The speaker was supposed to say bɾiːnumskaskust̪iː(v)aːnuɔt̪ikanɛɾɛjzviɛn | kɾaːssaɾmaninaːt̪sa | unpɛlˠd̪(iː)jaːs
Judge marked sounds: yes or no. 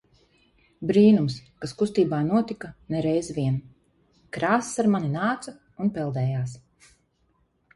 no, no

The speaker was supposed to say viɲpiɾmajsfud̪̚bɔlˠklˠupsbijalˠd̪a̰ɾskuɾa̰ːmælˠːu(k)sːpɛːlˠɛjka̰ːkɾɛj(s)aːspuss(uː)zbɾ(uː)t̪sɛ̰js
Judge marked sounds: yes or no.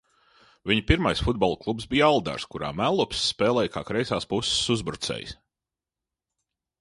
no, yes, no, no

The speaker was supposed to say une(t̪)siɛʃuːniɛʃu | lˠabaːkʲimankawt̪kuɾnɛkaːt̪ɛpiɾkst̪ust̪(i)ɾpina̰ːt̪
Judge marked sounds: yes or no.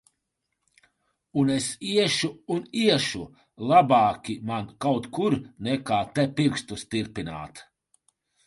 no, yes

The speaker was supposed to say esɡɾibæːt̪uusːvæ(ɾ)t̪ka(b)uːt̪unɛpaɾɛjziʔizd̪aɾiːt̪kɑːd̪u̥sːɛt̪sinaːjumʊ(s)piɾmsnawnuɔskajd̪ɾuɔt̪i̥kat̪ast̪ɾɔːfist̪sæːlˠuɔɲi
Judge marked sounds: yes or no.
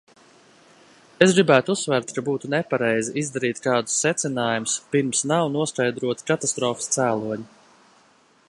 yes, yes, yes

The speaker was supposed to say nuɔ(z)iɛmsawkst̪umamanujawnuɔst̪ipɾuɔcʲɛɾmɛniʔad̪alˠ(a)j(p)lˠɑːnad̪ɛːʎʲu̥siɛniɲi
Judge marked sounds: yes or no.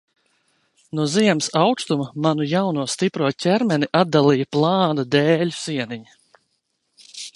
yes, no, yes

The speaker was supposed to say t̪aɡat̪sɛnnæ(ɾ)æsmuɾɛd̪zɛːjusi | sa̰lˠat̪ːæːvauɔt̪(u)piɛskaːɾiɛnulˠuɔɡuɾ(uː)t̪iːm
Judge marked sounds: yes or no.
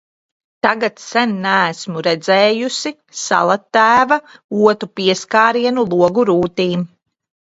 no, yes, yes

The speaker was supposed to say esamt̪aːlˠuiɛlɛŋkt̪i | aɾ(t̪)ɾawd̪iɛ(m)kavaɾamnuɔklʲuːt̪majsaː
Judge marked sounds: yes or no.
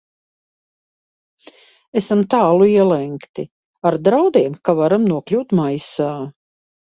no, yes

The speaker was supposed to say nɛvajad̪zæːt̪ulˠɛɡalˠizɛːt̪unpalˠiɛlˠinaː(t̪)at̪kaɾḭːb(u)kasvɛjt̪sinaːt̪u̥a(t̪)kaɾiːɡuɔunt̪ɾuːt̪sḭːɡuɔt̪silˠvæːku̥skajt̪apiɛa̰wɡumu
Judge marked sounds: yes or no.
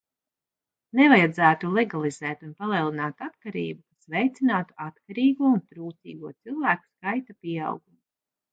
yes, yes, yes

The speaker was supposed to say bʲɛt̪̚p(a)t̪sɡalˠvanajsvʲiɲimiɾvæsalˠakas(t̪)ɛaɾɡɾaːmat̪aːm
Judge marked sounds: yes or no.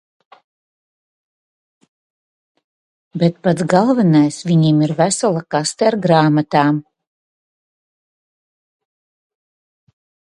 yes, yes

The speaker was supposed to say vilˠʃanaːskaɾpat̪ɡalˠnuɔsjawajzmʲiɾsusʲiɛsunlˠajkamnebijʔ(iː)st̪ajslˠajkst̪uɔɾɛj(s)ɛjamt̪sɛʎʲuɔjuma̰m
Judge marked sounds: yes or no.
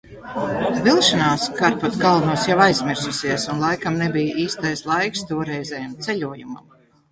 yes, no

